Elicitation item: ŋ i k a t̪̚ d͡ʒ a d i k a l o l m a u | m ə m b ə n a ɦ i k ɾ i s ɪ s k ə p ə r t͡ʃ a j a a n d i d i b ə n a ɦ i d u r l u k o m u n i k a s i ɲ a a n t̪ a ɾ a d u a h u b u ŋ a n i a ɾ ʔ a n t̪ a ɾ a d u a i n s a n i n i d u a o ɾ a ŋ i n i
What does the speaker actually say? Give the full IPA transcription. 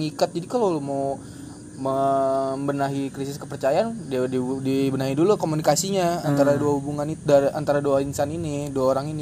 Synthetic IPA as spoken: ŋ i k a t̪̚ d͡ʒ a d i k a l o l m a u | m ə m b ə n a ɦ i k ɾ i s ɪ s k ə p ə r t͡ʃ a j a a n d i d i b ə n a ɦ i d u l u k o m u n i k a s i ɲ a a n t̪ a ɾ a d u a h u b u ŋ a n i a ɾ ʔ a n t̪ a ɾ a d u a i n s a n i n i d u a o ɾ a ŋ i n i